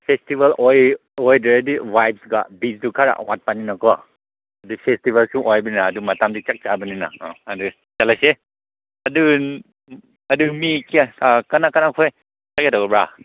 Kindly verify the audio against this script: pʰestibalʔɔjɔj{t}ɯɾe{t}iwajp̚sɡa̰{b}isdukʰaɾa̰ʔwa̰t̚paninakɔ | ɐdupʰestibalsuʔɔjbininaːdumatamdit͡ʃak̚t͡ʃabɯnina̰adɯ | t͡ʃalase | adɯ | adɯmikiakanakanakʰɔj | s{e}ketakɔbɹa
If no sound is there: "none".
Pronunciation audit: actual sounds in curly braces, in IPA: d, d, b, a

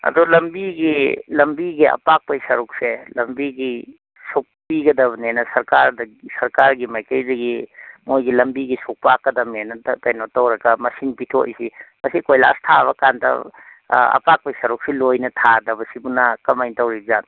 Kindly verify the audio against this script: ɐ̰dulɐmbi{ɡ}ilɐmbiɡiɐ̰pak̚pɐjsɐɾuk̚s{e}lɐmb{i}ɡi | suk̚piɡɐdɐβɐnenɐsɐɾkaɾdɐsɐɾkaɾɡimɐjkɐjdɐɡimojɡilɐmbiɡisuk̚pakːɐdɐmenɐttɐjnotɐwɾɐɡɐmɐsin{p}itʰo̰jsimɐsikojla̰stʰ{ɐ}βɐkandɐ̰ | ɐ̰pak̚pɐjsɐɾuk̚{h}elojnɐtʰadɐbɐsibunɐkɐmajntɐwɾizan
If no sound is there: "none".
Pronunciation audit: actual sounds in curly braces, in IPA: ɡ, e, i, p, a, s

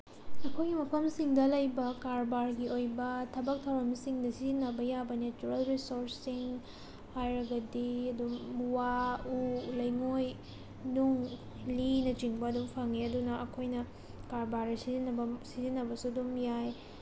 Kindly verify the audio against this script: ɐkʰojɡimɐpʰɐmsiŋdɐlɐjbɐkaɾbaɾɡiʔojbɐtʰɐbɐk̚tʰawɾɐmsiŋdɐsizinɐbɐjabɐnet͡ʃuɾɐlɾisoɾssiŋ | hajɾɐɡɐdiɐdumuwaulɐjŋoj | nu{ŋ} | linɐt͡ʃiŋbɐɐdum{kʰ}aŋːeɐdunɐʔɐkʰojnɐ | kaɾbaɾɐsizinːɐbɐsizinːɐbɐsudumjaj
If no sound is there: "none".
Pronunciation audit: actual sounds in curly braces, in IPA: ŋ, pʰ

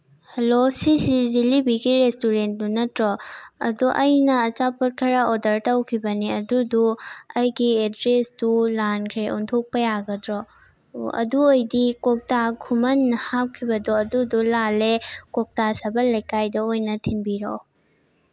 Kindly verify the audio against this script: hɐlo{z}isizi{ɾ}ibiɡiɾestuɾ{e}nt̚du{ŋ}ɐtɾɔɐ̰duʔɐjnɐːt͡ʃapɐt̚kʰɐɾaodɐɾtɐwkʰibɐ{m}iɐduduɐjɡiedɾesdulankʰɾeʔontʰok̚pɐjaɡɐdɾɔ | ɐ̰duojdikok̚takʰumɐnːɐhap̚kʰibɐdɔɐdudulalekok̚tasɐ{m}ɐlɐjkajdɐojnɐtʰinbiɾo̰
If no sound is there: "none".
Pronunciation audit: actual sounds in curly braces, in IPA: s, l, e, n, n, b

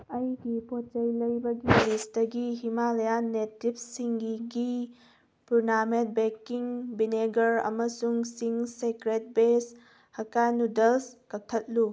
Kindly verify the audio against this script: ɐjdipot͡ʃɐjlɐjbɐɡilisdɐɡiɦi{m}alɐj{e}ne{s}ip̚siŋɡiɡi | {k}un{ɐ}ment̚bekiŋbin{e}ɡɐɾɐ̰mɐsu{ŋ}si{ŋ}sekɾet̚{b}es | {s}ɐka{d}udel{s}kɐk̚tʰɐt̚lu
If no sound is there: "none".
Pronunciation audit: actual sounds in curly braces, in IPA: m, a, t, p, a, e, ŋ, ŋ, b, h, n, s

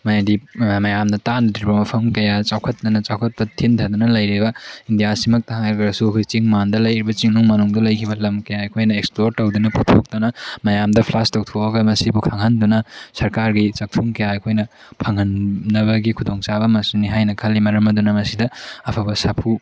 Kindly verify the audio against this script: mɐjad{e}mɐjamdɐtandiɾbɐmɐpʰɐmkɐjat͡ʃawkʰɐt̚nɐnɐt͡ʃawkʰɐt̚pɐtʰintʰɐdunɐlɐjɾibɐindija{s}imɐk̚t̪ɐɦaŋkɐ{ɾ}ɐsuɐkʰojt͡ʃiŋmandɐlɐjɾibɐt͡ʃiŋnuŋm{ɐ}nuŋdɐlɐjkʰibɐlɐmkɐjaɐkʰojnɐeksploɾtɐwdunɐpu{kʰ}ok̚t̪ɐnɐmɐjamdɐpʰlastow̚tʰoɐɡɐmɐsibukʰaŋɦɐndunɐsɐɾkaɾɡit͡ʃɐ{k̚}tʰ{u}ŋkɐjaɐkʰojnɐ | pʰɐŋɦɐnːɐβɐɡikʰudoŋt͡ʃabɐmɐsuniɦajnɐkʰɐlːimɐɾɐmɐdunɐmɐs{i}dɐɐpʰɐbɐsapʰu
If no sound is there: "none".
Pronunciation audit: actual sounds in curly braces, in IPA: i, s, ɾ, ɐ, tʰ, k̚, u, i

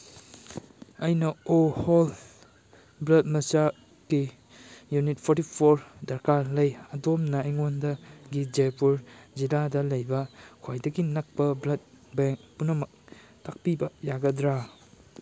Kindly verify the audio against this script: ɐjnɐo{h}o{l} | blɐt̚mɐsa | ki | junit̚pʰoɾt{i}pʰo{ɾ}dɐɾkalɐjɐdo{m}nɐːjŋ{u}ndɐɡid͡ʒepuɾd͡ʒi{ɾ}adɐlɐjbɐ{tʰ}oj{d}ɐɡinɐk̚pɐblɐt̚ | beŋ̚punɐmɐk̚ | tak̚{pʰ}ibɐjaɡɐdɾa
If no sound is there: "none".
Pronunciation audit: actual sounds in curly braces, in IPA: h, l, i, ɾ, m, o, l, kʰ, d, p

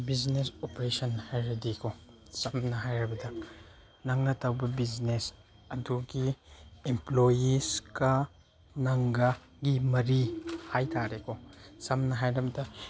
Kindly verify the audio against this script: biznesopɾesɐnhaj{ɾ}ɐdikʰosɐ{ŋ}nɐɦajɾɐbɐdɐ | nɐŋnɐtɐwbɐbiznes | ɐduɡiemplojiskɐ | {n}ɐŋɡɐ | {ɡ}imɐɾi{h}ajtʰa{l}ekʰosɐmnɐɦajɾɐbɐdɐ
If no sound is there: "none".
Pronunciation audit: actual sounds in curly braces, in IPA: ɾ, m, n, ɡ, h, ɾ

